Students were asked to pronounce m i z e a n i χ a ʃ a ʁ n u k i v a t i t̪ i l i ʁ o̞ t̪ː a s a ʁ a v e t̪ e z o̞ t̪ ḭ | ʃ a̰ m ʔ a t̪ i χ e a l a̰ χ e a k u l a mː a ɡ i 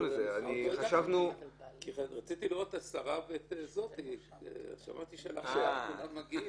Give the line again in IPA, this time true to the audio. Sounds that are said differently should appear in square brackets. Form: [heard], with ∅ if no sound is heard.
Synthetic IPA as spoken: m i z e a n i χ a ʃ a [v] n u k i [ʁ] a [t͡s] i t̪ i l i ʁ o̞ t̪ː a s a ʁ a v e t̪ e z o̞ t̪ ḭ | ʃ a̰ m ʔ a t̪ i [ʃ] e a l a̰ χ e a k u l a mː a ɡ i